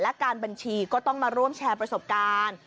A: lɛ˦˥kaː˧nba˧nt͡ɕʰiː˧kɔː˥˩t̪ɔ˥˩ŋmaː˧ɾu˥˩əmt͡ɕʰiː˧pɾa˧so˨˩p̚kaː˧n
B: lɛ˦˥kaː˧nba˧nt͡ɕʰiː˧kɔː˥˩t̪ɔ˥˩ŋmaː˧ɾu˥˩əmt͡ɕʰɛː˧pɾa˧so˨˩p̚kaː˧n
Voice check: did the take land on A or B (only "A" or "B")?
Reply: B